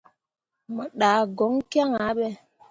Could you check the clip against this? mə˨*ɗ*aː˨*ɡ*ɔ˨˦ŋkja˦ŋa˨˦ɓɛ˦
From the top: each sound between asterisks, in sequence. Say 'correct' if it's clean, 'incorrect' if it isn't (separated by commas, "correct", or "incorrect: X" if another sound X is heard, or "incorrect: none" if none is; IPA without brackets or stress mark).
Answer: correct, correct